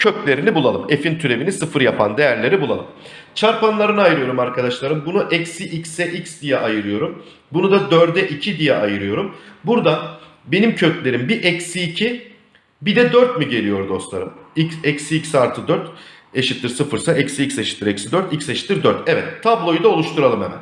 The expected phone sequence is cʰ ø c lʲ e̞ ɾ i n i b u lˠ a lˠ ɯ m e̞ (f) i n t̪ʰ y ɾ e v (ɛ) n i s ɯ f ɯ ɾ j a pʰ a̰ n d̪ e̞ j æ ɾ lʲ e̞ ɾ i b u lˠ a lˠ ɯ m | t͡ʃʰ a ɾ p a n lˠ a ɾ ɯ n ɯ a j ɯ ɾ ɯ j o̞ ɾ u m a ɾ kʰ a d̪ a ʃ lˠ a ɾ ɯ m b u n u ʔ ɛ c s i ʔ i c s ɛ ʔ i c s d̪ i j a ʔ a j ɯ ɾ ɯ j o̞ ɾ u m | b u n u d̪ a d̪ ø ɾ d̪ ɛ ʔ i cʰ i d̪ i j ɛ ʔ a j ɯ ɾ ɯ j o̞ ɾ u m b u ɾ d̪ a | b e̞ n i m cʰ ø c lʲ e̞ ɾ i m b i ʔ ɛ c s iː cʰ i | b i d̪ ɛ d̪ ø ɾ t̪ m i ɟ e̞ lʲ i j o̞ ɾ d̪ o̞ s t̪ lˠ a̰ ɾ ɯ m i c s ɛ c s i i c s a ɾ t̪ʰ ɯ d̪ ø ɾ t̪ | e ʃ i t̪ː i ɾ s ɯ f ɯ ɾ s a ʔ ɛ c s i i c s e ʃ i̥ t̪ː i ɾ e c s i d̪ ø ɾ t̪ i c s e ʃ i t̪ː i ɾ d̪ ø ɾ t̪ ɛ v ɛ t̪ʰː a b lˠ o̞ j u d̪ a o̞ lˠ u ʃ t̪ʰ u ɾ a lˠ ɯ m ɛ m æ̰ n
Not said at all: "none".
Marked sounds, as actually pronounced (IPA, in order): f, i

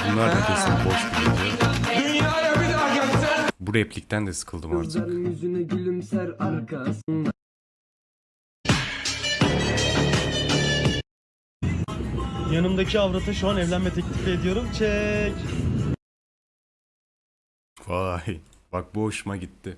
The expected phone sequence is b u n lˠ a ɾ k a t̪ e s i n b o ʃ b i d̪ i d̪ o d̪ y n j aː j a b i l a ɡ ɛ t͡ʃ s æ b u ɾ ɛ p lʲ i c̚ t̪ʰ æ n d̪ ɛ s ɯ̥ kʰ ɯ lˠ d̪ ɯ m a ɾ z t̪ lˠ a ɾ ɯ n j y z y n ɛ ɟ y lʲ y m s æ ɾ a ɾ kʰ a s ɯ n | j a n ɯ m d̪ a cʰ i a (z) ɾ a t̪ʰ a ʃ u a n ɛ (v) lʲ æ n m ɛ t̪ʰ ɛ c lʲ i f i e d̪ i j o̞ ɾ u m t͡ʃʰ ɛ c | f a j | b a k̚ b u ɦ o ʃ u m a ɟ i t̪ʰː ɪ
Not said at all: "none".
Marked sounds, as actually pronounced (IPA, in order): v, v

